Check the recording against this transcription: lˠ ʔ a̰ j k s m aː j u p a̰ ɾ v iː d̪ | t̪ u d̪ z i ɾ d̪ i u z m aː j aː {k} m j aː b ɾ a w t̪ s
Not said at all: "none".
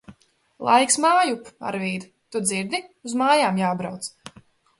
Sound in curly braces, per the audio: none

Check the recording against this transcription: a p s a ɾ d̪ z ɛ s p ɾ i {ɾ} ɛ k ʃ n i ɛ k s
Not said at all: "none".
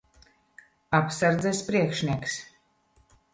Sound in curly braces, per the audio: none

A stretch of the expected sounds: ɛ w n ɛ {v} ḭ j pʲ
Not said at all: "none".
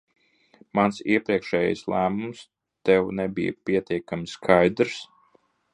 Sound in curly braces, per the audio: b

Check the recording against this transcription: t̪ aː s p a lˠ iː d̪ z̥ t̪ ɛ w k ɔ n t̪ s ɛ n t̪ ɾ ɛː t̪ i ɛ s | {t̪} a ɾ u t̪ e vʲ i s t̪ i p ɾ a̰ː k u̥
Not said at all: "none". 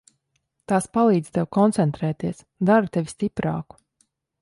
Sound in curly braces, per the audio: d̪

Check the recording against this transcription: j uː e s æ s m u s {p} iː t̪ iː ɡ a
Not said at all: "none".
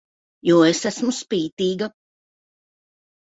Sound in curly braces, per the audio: p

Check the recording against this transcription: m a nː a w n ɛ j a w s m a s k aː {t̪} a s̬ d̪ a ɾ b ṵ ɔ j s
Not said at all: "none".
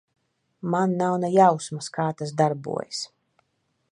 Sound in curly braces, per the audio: t̪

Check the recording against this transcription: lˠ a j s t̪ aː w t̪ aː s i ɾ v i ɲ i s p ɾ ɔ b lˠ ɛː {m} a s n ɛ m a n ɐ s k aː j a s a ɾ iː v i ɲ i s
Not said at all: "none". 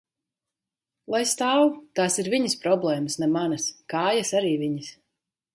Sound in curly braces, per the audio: m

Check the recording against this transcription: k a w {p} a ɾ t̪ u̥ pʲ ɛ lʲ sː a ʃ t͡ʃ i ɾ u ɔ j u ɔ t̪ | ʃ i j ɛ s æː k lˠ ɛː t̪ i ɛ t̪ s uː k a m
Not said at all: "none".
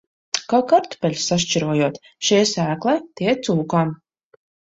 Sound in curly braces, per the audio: k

